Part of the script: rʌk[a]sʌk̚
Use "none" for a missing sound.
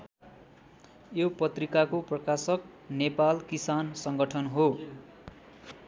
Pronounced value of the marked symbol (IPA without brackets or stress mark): a